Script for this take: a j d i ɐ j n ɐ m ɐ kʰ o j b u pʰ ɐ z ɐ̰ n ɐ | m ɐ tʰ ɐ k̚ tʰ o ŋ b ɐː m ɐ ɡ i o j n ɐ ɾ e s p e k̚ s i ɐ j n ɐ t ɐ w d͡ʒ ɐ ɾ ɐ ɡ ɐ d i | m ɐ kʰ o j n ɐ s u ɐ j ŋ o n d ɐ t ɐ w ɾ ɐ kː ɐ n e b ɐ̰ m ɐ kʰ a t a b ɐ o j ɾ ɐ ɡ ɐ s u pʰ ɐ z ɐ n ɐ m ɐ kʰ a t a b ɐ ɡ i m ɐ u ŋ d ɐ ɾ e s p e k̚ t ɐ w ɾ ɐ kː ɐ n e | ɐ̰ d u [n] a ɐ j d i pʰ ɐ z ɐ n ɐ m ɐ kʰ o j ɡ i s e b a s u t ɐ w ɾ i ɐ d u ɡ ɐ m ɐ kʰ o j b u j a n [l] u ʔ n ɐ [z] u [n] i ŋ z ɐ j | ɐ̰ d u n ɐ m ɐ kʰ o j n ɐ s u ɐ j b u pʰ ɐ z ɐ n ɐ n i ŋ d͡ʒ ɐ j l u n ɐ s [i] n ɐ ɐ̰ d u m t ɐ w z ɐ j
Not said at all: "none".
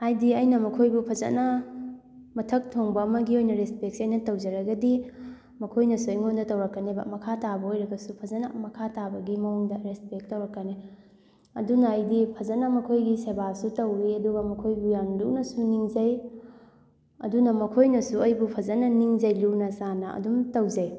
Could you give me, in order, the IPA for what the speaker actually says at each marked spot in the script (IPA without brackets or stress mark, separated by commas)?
n, l, s, n, a